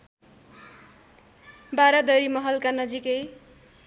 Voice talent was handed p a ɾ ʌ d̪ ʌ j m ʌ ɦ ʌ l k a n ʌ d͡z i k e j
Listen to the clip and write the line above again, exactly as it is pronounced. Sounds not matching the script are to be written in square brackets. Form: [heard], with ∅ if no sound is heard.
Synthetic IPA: [b] a ɾ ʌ d̪ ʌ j m ʌ ɦ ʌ l k a n ʌ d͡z i k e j